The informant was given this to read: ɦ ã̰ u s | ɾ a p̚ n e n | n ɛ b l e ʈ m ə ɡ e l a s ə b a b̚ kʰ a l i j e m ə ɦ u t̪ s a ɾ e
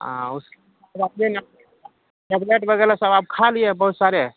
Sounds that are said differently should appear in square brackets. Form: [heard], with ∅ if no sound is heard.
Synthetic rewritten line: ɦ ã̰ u s | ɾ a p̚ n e n | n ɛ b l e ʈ [b] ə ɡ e l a s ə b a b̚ kʰ a l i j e [b] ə ɦ u t̪ s a ɾ e

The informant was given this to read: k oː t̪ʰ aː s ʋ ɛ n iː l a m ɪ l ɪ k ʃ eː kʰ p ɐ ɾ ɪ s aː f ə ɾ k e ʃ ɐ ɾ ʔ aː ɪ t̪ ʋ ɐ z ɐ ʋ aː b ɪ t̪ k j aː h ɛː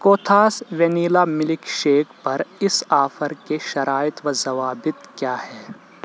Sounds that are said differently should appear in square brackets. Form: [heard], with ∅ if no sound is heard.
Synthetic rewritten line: k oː t̪ʰ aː s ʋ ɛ n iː l a m ɪ l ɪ k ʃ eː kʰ p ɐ ɾ ɪ s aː f ə ɾ k e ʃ ɐ ɾ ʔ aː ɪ t̪ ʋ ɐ z ɐ ʋ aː b ɪ t̪ k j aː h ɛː

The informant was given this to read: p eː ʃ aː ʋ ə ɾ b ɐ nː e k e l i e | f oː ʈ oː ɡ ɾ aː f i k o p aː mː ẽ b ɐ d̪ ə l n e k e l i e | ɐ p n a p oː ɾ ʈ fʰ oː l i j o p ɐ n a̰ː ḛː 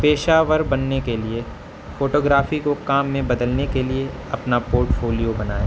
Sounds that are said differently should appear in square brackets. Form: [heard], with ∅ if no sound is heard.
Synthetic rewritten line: p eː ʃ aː ʋ ə ɾ b ɐ nː e k e l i e | f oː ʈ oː ɡ ɾ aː f i k o [k] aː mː ẽ b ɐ d̪ ə l n e k e l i e | ɐ p n a p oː ɾ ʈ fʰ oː l i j o [b] ɐ n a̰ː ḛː

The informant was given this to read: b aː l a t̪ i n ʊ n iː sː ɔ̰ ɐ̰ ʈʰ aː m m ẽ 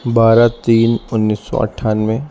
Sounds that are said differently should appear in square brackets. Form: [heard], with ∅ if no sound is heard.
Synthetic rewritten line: b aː [ɾ] a t̪ [iː] n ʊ [nː] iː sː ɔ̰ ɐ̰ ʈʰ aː [n] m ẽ

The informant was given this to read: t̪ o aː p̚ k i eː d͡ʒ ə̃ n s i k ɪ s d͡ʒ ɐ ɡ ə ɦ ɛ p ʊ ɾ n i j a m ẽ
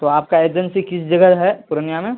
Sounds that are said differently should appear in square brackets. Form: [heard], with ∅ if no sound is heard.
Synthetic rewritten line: t̪ o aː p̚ k [a] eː d͡ʒ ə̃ n s i k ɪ s d͡ʒ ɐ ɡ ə ɦ ɛ p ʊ ɾ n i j a m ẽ

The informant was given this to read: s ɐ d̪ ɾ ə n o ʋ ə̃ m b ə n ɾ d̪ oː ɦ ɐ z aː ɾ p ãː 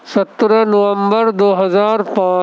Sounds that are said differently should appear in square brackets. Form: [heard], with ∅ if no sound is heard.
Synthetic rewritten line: s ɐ [t̪] ɾ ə n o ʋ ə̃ m b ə [∅] ɾ d̪ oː ɦ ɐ z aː ɾ p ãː

